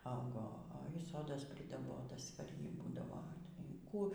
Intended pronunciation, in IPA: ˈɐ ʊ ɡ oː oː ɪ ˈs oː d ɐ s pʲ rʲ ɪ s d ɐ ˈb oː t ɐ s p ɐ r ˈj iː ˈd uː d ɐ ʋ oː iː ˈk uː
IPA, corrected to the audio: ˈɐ ʊ ɡ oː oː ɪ ˈs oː d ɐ s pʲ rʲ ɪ d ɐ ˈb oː t ɐ s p ɐ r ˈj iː ˈb uː d ɐ ʋ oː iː ˈk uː